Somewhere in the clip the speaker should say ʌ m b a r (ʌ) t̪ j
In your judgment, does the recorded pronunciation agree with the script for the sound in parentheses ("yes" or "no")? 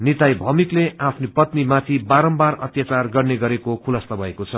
yes